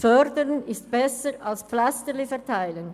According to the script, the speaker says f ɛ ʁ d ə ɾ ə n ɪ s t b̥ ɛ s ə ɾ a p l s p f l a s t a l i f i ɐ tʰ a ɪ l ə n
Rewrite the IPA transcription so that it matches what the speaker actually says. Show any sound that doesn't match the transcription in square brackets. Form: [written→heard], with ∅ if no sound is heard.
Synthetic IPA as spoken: f [ɛ→œ] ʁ d ə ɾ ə n ɪ s t b̥ ɛ s ə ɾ a [p→∅] l s p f l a s t [a→ə] l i f [i→ɛ] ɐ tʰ a ɪ l ə n

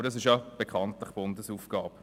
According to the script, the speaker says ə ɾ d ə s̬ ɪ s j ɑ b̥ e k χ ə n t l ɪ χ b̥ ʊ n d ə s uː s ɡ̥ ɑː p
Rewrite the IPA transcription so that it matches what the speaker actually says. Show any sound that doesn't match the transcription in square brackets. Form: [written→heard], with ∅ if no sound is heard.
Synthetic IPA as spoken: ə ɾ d [ə→ɑ] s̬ ɪ [s→ʃ] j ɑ b̥ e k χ [ə→ɑ] n t l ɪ χ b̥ ʊ n d ə s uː [s→f] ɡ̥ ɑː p

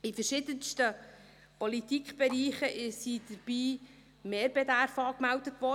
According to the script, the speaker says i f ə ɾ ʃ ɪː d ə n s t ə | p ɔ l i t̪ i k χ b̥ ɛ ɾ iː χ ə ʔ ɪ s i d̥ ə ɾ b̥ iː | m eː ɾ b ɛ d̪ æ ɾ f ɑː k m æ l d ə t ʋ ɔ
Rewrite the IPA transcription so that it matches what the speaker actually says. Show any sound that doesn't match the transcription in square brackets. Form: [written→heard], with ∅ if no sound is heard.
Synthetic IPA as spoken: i f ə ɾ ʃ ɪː d ə n s t ə | p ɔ l i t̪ i k χ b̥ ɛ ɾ iː χ ə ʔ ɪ s i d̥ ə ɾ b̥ iː | m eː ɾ b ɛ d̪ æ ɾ f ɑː k m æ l d ə t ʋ ɔ

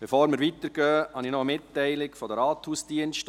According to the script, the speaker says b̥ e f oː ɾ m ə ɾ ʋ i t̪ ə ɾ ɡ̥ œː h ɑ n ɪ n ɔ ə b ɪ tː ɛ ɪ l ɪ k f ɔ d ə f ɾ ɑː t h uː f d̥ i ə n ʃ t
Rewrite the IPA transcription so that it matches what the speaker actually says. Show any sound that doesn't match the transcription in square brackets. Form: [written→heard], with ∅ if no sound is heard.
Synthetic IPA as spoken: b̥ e f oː ɾ m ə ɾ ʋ i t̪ ə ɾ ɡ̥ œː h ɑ n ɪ n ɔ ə [b→m] ɪ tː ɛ ɪ l ɪ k f ɔ d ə [f→∅] ɾ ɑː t h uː [f→s] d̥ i ə n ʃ t

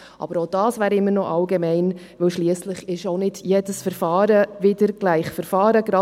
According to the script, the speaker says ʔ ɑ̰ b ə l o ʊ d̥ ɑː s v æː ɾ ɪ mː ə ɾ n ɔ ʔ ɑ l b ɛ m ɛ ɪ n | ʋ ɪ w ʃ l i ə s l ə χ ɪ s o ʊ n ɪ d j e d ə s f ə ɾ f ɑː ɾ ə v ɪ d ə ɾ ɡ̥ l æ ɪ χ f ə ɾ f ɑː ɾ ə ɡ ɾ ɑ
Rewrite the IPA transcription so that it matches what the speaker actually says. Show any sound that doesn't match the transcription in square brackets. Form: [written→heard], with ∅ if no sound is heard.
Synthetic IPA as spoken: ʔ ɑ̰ b ə [l→ɾ] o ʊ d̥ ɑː s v æː ɾ ɪ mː ə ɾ n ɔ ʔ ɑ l [b→ɡ] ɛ m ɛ ɪ n | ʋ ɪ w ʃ l i ə s l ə χ ɪ [s→ʃ] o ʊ n ɪ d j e d ə s f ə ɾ f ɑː ɾ ə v ɪ d ə ɾ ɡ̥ l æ ɪ χ f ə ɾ f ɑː ɾ ə ɡ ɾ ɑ

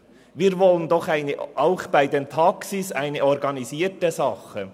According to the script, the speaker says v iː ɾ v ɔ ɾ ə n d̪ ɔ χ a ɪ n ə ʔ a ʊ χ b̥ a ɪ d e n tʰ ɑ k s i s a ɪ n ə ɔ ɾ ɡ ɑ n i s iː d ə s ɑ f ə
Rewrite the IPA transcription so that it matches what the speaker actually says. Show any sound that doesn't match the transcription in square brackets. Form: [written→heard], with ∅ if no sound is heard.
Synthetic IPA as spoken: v iː ɾ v ɔ [ɾ→l] ə n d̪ ɔ χ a ɪ n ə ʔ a ʊ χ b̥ a ɪ d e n tʰ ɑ k s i s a ɪ n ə ɔ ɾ ɡ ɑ n i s iː [d→t] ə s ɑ [f→χ] ə

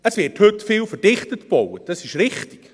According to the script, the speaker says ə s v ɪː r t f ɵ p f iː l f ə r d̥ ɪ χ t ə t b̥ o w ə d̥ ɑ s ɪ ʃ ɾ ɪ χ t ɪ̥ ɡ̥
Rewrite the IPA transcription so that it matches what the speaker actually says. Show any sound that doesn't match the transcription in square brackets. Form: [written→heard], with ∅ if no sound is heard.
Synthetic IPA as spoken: ə s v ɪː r t [f→h] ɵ [p→t] f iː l f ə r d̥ ɪ χ t ə t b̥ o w ə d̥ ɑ s ɪ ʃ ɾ ɪ χ t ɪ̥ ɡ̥

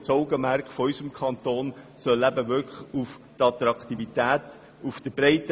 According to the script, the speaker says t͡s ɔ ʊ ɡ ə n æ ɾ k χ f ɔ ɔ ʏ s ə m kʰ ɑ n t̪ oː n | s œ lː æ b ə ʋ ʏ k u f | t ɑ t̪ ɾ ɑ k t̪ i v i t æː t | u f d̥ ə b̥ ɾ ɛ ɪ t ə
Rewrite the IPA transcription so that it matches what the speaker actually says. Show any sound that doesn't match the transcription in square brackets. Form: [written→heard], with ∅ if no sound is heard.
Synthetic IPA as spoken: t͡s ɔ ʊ ɡ ə [n→m] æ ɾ k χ f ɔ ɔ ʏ s ə m kʰ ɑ n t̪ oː n | s œ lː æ b ə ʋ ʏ k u f | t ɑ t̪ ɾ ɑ k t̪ i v i t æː t | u f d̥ ə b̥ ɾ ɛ ɪ t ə

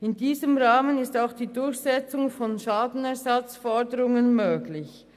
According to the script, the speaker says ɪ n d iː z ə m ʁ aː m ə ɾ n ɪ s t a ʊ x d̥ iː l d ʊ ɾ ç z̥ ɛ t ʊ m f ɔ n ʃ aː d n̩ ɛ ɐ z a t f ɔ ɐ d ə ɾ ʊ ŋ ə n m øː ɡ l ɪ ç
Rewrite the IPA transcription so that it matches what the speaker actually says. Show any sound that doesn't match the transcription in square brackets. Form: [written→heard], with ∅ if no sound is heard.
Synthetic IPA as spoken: ɪ n d iː z ə m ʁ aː m ə [ɾ→∅] n ɪ s t a ʊ x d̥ iː [l→∅] d ʊ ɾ ç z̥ ɛ [t→t͡s] ʊ [m→ŋ] f ɔ n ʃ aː d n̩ ɛ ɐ z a [t→t͡s] f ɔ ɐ d ə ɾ ʊ ŋ ə n m øː ɡ l ɪ ç

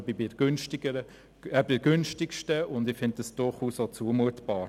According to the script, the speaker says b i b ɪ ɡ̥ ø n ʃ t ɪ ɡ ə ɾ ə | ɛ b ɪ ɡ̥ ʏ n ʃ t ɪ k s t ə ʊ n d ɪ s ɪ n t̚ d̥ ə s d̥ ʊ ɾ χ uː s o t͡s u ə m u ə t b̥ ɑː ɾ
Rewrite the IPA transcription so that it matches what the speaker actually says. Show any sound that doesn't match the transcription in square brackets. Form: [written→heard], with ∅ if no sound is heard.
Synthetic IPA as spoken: b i b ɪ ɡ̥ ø n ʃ t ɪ ɡ ə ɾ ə | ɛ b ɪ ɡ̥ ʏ n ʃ t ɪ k [s→ʃ] t ə ʊ n d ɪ [s→f] ɪ n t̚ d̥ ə s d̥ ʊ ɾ χ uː s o t͡s u ə m u ə t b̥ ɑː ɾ

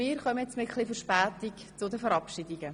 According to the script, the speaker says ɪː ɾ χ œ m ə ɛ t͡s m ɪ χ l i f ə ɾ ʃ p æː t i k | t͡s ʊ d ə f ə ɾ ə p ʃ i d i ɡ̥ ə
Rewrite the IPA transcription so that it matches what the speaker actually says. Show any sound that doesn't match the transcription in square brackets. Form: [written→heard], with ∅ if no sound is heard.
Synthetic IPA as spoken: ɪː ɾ χ œ m ə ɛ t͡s m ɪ χ l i f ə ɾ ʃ p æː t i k | t͡s ʊ d ə f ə ɾ [ə→ɑ] p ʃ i d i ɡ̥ ə

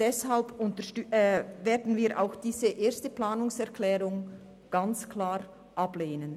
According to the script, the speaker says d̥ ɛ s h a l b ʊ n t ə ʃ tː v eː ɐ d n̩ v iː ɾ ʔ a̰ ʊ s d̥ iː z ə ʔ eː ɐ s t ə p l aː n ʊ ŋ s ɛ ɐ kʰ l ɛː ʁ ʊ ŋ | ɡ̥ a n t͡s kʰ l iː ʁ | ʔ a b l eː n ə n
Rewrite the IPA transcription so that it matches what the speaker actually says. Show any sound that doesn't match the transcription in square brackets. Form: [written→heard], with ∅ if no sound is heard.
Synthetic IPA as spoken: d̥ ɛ s h a l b ʊ n t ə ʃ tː v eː ɐ d n̩ v iː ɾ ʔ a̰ ʊ [s→x] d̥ iː z ə ʔ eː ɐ s t ə p l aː n ʊ ŋ s ɛ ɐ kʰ l ɛː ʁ ʊ ŋ | ɡ̥ a n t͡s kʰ l [iː→aː] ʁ | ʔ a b l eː n ə n

